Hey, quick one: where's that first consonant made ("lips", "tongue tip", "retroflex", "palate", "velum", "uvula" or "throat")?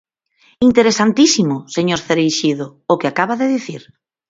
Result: tongue tip